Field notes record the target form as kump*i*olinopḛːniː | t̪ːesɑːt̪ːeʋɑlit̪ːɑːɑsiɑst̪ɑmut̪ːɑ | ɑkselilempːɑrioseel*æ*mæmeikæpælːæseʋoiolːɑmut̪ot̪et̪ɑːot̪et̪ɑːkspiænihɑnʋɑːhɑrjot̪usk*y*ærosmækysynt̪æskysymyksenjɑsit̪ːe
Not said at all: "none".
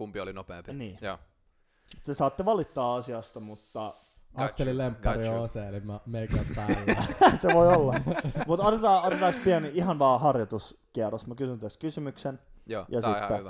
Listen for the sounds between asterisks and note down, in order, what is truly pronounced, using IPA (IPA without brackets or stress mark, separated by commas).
i, i, i